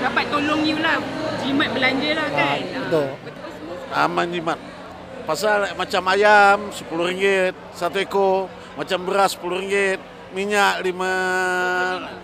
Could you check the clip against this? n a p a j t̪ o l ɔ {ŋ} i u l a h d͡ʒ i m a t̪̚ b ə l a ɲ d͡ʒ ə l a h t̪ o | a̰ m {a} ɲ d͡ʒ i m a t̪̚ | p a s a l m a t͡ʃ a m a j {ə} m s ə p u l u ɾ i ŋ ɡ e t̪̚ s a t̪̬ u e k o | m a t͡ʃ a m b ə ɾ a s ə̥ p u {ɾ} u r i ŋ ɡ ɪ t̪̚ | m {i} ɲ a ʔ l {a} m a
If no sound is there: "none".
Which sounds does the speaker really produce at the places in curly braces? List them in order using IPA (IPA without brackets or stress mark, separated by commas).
ŋ, a, a, l, i, i